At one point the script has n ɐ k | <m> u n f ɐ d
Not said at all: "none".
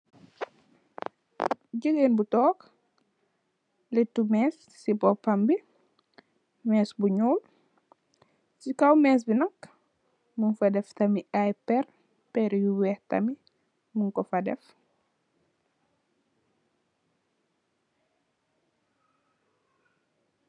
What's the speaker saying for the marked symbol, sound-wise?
m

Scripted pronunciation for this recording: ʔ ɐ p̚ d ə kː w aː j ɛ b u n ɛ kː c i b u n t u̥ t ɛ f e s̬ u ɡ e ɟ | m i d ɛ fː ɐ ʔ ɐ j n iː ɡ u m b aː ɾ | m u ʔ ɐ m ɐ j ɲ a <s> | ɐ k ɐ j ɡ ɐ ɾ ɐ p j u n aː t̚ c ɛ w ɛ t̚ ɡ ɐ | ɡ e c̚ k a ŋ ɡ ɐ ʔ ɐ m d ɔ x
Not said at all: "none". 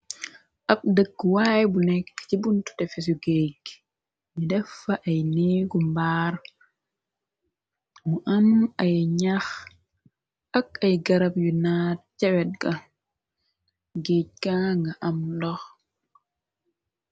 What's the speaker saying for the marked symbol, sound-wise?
x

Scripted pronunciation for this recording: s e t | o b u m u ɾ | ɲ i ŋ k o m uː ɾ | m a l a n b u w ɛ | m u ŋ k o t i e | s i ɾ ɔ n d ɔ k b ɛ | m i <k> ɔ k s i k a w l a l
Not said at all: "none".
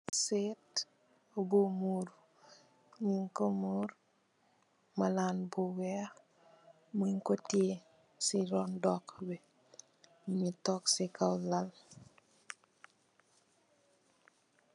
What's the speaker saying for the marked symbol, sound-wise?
t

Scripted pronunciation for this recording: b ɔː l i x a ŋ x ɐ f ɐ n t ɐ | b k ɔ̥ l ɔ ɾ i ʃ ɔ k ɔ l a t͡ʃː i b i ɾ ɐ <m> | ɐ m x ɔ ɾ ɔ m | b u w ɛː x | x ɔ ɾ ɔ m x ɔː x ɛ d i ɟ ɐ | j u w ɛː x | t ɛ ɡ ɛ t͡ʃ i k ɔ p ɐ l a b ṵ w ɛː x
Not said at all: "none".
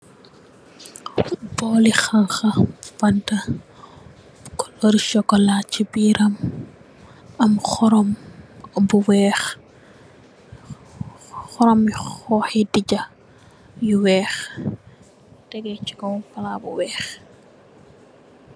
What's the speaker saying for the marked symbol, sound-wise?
m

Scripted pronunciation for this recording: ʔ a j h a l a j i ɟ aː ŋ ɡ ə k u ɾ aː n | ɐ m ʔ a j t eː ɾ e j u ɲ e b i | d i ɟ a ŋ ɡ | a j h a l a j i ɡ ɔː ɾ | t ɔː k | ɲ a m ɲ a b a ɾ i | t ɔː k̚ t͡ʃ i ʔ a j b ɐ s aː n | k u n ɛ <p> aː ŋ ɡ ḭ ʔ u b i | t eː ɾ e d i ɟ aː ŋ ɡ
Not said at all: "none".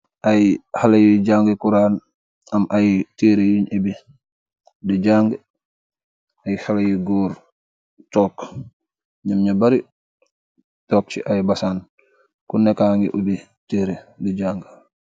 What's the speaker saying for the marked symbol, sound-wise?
k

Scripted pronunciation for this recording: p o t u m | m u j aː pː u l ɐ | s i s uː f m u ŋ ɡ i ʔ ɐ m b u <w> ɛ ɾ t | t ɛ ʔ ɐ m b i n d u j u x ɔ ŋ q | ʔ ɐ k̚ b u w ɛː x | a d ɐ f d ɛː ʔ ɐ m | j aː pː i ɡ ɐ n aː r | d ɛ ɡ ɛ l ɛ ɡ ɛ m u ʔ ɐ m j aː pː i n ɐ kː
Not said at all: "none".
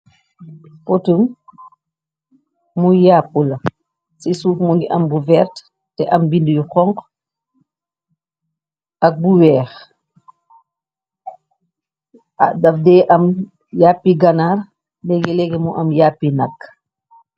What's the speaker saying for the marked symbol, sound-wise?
v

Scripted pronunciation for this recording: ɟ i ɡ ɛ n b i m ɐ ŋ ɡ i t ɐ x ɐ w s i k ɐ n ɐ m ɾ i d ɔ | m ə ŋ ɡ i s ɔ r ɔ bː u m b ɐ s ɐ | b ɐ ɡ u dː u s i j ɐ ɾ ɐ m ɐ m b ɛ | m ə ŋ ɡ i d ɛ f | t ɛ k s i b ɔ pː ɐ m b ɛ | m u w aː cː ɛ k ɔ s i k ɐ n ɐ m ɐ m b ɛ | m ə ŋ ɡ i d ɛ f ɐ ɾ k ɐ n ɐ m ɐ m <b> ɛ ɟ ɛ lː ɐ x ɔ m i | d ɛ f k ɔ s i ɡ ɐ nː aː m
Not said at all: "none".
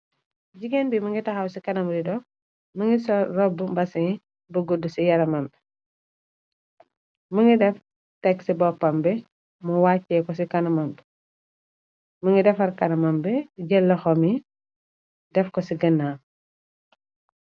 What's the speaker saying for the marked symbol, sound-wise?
b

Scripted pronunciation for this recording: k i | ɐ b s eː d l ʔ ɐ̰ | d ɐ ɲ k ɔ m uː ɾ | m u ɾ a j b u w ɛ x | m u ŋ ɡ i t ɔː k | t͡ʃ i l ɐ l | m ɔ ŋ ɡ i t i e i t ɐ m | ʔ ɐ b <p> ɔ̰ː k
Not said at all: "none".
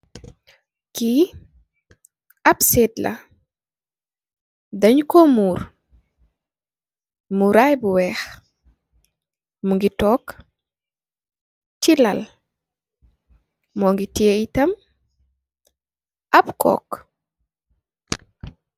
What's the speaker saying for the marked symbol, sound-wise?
k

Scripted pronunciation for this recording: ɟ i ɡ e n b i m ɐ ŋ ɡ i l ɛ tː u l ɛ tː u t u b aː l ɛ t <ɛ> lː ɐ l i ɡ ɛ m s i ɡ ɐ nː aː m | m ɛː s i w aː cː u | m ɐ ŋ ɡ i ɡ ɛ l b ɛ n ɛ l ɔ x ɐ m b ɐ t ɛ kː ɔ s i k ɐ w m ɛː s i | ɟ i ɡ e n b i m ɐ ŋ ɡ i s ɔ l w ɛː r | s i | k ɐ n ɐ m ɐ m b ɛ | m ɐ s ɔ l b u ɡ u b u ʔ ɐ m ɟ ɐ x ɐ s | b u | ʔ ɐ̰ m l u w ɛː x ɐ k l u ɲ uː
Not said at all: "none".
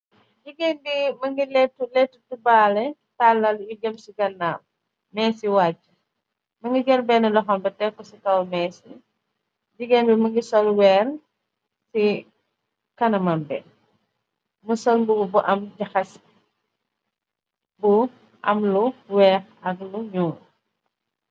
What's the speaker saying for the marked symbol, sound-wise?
a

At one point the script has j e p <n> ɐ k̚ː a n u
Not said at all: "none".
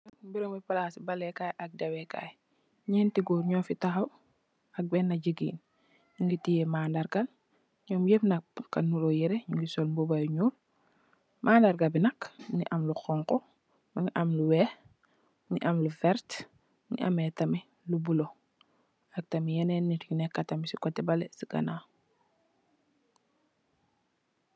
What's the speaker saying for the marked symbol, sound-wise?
n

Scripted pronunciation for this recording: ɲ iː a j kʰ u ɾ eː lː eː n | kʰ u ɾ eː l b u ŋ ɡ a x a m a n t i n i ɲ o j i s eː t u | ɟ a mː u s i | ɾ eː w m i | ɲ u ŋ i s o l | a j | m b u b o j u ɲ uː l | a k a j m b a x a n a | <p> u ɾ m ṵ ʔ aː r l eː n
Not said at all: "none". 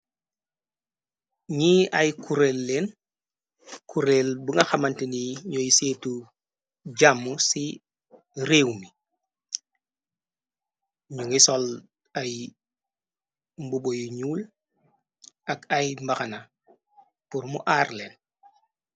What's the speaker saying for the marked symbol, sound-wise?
p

